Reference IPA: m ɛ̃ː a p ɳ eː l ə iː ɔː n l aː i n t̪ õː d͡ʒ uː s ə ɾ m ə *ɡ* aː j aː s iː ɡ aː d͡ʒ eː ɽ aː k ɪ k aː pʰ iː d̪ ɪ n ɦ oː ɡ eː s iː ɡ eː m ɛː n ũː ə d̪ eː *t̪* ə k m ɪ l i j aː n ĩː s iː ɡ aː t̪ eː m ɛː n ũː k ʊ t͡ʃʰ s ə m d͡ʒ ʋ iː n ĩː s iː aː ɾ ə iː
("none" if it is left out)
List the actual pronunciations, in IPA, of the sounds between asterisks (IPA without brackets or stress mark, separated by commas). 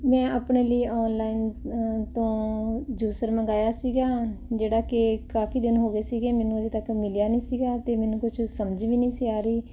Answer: ɡ, t̪